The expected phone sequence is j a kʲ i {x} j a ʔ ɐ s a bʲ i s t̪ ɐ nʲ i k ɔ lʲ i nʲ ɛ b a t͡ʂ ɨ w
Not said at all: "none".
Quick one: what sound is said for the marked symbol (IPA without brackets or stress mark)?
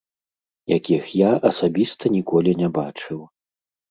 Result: x